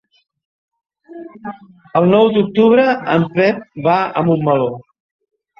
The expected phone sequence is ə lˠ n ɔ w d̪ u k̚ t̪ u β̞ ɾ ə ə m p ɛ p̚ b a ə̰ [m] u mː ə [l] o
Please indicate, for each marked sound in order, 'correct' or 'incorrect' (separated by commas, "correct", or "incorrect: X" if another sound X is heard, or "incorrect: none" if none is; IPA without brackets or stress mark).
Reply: correct, correct